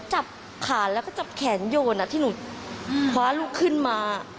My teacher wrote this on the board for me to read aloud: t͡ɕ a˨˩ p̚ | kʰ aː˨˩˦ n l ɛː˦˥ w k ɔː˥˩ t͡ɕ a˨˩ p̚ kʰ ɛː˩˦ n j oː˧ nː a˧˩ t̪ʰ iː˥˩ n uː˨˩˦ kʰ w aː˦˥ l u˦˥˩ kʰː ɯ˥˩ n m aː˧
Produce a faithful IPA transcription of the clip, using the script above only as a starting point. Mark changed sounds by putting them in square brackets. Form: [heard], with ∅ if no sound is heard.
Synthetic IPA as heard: t͡ɕ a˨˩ p̚ | kʰ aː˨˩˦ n l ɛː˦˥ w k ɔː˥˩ t͡ɕ a˨˩ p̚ kʰ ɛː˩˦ n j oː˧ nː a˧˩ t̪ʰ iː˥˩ n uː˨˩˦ kʰ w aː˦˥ l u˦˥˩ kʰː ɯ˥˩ n m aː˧